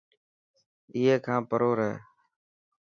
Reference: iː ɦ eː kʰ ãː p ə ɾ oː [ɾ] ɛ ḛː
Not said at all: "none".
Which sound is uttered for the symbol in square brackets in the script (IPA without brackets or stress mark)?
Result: ɾ